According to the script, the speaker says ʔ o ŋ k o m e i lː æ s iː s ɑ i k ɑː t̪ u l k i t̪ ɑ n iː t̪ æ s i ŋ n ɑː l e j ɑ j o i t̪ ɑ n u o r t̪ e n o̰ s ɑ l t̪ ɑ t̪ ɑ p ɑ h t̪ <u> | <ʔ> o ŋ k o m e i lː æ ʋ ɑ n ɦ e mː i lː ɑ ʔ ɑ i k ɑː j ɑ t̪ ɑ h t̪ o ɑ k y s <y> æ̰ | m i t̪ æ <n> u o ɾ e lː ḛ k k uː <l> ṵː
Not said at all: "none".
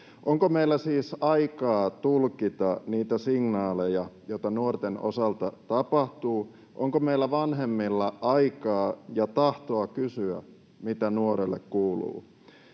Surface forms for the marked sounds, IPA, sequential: uː, ʔ, y, n, l

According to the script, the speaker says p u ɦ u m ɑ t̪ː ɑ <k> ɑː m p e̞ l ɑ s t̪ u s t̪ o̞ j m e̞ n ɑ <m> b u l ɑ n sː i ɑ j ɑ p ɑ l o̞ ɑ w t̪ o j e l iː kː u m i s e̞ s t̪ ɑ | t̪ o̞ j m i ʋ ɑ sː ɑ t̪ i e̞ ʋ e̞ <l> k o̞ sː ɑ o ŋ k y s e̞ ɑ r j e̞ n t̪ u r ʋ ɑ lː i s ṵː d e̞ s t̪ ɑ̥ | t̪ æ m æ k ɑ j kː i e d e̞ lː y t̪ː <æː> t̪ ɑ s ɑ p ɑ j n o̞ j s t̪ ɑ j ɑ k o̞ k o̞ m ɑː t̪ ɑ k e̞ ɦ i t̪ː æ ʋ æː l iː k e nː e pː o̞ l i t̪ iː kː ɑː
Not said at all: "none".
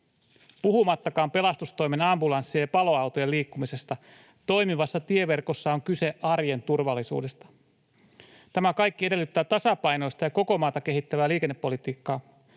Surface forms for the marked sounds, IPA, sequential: k, m, r, æː

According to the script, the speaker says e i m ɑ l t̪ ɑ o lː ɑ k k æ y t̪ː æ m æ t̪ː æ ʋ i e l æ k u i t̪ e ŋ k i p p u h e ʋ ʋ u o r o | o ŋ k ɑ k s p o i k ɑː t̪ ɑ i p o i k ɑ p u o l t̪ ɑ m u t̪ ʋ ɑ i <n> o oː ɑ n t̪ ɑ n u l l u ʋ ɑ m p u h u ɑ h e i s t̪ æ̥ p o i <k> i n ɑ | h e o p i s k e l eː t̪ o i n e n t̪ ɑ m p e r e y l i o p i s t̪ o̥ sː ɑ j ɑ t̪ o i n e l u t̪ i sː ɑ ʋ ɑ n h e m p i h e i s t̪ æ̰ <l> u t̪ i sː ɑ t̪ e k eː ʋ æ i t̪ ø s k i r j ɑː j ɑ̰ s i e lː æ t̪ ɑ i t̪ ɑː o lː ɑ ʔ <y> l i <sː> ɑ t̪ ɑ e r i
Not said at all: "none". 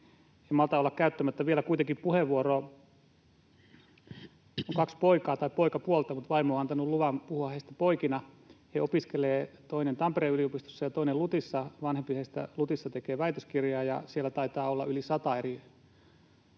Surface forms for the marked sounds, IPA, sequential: m, k, l, y, s

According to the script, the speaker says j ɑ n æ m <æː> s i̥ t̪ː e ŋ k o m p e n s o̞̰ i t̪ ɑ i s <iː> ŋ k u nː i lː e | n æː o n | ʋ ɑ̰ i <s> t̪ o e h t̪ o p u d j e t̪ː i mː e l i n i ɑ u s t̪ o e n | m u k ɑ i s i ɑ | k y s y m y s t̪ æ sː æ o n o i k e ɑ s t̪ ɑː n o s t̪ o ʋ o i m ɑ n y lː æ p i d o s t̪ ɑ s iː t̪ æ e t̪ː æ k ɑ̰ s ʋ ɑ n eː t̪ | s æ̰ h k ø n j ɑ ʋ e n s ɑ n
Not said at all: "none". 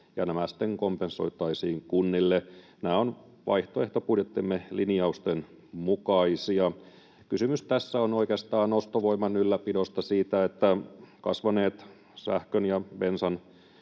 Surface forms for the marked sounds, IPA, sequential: æ, iː, h

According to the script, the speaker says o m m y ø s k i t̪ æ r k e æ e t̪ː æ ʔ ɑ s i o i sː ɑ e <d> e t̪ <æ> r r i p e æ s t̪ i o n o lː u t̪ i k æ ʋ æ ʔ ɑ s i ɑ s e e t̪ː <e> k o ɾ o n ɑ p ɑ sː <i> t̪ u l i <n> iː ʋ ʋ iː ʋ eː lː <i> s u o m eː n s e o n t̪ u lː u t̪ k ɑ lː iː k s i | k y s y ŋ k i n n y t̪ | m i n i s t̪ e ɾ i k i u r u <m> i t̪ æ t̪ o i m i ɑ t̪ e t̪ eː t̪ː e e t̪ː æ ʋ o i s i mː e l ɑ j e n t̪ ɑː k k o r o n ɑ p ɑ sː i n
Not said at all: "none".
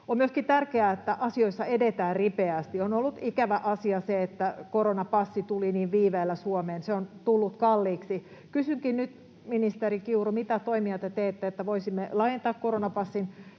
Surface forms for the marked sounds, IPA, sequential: d, æː, æ, i, n, æ, m

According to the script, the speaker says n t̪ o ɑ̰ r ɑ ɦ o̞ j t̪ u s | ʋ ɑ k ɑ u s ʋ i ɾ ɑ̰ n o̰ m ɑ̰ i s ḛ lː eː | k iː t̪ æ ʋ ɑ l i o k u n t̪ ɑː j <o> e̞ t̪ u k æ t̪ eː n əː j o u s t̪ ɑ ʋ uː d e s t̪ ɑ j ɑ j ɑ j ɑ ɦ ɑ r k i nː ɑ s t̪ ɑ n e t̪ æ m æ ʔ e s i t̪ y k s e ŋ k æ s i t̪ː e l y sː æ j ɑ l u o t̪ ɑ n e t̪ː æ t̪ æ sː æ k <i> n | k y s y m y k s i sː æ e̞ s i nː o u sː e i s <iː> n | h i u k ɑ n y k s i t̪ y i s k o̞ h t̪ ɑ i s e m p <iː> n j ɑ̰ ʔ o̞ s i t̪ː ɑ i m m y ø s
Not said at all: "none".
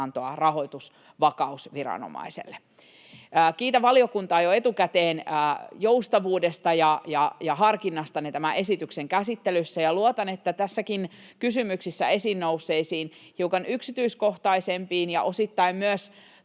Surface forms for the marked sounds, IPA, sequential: o, i, iː, iː

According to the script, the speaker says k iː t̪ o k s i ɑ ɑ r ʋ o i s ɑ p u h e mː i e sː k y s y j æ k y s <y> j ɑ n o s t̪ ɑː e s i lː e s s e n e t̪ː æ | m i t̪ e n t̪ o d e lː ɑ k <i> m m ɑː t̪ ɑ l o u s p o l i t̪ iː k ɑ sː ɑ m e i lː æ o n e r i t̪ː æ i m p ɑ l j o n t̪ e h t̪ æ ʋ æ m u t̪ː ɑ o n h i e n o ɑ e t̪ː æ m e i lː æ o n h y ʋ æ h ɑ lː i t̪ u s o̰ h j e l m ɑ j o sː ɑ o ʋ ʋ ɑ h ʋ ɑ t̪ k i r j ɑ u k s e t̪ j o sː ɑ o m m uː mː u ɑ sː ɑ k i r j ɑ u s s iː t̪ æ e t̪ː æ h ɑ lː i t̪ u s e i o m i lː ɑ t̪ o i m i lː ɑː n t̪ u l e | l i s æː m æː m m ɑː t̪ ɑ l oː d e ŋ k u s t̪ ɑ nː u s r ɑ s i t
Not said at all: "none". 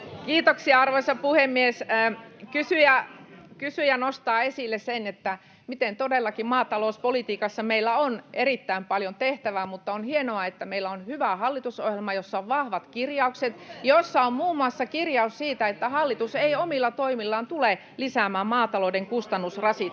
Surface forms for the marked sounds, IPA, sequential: y, i

